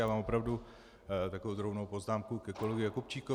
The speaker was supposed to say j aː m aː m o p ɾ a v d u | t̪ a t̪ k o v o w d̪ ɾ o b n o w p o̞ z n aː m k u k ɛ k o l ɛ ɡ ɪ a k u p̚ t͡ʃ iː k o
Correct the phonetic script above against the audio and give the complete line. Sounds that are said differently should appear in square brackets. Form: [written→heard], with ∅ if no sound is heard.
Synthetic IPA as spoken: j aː m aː m o p ɾ a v d u | t̪ a [t̪→∅] k o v o w d̪ ɾ o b n o w p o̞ z n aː m k u k ɛ k o l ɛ ɡ ɪ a k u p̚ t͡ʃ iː k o